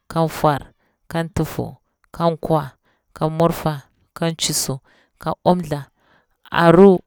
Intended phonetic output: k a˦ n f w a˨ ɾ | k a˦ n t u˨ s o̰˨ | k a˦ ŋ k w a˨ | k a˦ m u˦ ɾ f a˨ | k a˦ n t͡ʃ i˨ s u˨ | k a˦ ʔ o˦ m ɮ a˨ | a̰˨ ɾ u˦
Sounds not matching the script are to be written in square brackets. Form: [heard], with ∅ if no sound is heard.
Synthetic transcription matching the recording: k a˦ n f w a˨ ɾ | k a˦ n t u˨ [f] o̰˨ | k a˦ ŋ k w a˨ | k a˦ m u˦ ɾ f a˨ | k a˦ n t͡ʃ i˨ s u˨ | k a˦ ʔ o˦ m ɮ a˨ | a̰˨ ɾ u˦